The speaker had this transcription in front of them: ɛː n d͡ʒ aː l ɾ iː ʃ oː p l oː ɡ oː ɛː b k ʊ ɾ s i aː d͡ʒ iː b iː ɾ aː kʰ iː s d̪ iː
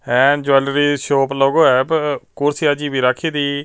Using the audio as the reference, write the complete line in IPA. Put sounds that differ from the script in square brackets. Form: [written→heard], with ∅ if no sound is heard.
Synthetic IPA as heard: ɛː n d͡ʒ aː l ɾ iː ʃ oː p l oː ɡ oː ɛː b k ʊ ɾ s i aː d͡ʒ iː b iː ɾ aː kʰ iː [s→∅] d̪ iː